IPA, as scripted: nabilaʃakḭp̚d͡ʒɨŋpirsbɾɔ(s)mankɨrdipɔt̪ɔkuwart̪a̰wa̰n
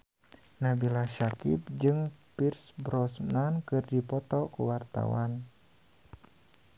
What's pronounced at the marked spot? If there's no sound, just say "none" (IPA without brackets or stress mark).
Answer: s